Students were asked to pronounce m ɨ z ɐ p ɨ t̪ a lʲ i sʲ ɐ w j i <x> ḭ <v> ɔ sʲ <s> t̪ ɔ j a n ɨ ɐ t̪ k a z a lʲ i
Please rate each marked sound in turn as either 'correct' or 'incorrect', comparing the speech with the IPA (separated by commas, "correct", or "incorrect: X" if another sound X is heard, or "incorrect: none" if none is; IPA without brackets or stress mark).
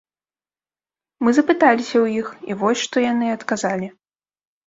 correct, correct, incorrect: ʂ